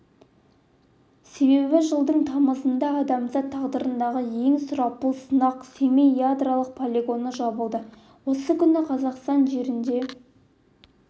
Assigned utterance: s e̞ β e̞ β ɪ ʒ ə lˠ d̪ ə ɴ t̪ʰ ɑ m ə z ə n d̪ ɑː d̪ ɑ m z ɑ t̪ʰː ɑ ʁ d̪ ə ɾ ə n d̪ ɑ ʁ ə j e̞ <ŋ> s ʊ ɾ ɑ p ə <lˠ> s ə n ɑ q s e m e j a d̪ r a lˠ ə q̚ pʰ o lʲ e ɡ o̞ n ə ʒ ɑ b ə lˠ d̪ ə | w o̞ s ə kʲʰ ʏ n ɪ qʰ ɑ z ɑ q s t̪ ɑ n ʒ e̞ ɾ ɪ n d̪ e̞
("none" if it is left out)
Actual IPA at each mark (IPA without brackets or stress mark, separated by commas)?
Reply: ŋ, lˠ